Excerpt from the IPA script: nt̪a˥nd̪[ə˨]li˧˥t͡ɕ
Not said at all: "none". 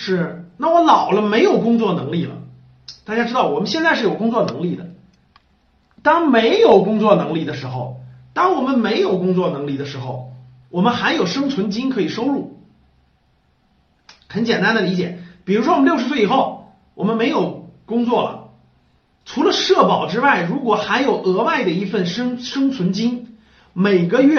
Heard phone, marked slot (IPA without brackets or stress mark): ə˨